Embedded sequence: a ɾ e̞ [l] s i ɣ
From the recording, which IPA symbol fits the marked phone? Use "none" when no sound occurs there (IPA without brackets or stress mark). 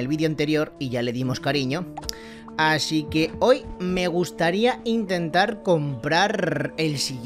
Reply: l